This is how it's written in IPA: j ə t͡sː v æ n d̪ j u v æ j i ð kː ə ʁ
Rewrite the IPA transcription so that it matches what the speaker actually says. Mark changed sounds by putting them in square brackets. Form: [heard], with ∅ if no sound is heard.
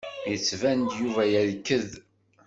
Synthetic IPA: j ə t͡sː v æ n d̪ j u v æ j [æ] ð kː ə [ð]